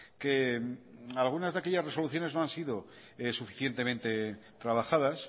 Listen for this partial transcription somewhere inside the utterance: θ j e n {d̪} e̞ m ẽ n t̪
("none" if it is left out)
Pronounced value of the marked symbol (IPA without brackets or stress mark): t̪